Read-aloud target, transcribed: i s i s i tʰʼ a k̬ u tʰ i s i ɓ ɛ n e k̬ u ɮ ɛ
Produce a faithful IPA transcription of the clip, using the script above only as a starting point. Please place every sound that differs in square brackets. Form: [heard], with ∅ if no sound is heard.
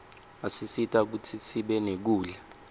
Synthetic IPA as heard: [a] s i s i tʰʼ a k̬ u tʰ i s i ɓ ɛ n e k̬ [uː] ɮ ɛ